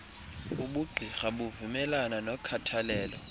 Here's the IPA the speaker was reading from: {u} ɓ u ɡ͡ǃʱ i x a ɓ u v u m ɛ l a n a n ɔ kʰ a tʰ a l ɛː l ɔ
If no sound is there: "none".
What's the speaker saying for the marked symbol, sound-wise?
u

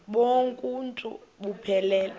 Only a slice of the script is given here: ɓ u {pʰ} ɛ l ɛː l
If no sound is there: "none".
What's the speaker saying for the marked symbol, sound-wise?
pʰ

